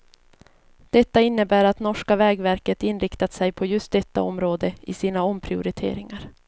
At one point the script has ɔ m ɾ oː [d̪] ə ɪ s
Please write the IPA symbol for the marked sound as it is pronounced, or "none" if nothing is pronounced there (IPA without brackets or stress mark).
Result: d̪